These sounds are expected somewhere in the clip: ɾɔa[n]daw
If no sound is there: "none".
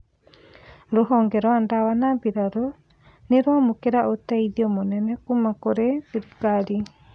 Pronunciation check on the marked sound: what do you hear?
n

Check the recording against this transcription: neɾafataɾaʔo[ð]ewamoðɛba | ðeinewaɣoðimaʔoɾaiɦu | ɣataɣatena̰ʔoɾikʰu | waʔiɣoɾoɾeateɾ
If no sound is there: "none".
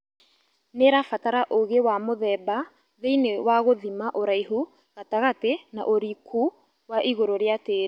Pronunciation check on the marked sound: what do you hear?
ɣ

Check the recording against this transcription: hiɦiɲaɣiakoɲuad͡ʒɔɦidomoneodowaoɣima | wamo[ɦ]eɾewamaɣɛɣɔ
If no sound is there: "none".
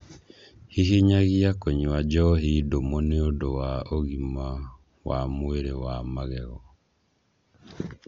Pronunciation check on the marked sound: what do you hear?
none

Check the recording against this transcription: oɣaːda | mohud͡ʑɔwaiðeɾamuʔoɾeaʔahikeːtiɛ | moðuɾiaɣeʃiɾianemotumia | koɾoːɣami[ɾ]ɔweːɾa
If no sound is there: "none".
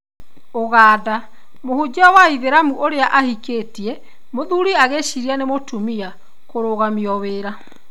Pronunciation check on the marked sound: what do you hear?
none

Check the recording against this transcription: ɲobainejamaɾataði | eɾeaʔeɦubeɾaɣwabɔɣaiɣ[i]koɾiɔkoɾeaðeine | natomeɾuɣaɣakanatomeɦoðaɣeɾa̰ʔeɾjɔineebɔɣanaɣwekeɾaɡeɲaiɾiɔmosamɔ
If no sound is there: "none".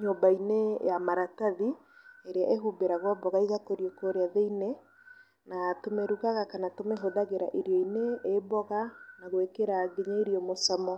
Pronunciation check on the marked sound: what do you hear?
a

